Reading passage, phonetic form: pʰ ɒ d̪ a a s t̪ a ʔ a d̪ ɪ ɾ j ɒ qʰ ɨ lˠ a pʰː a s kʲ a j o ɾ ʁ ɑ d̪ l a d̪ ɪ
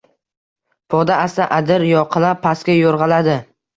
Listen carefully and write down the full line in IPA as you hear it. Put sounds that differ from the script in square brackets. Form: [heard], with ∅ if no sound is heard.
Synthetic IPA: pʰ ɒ d̪ a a s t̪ a ʔ a d̪ ɪ ɾ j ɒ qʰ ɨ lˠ a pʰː a s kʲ a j o ɾ ʁ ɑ [∅] l a d̪ ɪ